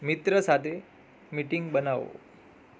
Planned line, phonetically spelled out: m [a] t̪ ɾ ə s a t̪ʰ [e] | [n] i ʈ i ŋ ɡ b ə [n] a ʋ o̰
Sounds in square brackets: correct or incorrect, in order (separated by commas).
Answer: incorrect, correct, incorrect, correct